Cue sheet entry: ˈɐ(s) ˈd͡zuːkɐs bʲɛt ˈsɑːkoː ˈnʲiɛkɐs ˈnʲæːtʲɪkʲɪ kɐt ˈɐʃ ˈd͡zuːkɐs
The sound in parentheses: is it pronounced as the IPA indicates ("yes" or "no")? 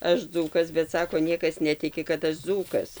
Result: no